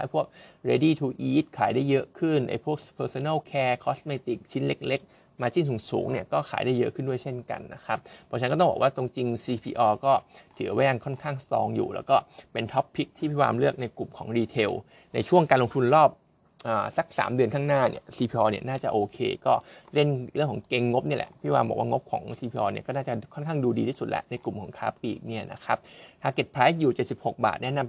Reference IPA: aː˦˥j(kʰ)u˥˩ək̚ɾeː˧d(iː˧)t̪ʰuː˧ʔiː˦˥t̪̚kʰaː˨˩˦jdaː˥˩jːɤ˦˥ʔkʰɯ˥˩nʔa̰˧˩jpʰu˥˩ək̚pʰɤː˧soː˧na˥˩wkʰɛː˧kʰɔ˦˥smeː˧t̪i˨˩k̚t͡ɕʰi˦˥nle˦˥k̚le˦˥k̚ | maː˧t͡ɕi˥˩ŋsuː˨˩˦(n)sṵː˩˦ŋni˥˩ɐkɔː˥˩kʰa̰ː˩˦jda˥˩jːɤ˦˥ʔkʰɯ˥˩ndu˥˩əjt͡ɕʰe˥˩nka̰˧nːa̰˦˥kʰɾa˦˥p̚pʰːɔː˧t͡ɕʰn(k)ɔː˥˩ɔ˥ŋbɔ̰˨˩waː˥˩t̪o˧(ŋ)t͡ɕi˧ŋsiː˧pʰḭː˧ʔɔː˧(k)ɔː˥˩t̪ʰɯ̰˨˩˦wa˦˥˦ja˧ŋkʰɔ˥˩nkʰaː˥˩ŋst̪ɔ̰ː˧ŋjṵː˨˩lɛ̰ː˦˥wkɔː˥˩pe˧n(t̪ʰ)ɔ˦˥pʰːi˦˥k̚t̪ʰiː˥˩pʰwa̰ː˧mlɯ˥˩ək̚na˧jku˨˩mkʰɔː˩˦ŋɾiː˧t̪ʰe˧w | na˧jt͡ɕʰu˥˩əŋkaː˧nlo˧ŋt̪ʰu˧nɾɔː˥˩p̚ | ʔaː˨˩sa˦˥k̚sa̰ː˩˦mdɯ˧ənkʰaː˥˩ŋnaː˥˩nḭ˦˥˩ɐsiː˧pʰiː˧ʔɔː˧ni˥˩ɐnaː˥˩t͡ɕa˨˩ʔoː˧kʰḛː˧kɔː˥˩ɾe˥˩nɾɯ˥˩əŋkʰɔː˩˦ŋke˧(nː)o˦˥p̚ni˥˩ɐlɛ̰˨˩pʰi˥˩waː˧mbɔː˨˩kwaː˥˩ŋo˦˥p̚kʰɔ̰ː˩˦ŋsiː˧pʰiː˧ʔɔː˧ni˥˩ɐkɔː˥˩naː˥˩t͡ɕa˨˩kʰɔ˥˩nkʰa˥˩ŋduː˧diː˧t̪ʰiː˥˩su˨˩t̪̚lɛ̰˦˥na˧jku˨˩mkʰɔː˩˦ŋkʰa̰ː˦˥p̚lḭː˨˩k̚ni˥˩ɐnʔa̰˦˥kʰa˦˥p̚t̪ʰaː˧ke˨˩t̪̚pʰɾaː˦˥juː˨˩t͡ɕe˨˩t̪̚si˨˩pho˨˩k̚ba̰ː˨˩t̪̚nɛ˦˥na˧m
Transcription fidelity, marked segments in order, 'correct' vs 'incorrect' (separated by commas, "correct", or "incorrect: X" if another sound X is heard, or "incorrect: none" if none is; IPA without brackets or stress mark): incorrect: pʰ, incorrect: iː˥˩, incorrect: ŋ, correct, correct, correct, correct, incorrect: ŋː